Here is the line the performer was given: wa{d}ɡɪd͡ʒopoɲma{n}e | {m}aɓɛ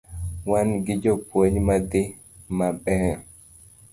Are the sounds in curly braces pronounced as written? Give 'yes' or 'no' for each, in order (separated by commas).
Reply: no, no, yes